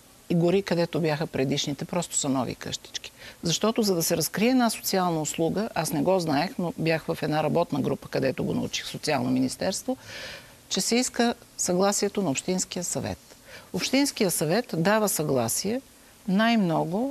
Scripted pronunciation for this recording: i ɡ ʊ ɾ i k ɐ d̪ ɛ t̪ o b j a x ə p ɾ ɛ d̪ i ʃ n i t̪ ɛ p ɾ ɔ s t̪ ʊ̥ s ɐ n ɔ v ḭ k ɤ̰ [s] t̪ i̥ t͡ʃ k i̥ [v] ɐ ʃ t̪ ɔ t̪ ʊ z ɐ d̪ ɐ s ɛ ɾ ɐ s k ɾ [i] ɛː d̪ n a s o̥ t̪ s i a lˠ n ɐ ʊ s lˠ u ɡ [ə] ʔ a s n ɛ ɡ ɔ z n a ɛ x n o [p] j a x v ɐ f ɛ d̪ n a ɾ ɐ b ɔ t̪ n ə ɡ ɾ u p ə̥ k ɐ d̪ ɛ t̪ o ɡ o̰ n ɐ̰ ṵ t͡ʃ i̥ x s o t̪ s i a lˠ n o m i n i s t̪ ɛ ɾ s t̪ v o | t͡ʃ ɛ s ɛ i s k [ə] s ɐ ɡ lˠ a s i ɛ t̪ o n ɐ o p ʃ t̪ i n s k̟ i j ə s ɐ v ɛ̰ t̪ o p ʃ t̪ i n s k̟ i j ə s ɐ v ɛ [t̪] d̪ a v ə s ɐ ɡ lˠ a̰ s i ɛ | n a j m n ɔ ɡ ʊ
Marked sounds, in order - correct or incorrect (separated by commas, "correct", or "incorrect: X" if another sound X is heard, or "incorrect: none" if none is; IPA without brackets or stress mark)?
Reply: incorrect: ʃ, incorrect: z, correct, correct, incorrect: b, correct, correct